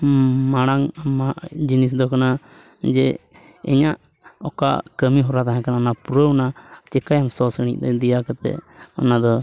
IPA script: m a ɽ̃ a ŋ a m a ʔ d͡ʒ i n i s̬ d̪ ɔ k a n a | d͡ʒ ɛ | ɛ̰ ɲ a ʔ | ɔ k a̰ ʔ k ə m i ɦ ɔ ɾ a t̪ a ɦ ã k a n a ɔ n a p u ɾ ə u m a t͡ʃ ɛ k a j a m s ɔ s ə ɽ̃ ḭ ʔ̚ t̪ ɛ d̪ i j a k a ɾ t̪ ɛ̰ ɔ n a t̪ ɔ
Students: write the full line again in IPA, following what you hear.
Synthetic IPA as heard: m a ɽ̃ a ŋ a m a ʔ d͡ʒ i n i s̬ d̪ ɔ k a n a | d͡ʒ ɛ | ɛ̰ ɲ a ʔ | ɔ k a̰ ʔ k ə m i ɦ ɔ ɾ a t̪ a ɦ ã k a n a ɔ n a p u ɾ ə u n a t͡ʃ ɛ k a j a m s ɔ s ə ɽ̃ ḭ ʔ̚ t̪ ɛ d̪ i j a k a ɾ t̪ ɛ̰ ɔ n a d̪ ɔ